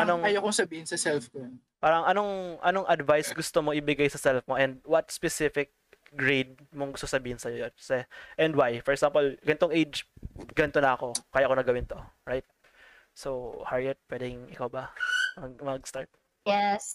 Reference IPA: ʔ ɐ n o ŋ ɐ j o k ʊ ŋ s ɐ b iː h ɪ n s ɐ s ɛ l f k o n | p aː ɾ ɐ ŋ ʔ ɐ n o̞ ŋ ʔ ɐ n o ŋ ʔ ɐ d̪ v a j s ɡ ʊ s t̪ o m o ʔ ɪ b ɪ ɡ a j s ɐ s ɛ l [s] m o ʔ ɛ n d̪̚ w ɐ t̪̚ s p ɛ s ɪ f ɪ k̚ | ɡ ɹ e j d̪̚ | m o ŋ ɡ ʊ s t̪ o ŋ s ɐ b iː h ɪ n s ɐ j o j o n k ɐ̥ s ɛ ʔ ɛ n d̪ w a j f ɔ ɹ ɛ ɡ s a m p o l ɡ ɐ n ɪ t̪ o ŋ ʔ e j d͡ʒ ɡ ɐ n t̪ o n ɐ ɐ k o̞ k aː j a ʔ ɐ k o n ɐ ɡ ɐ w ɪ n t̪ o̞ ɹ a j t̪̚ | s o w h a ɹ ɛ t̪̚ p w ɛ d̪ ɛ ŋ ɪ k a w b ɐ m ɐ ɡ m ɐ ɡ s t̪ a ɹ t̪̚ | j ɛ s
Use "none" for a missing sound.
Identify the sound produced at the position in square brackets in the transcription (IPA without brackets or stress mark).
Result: f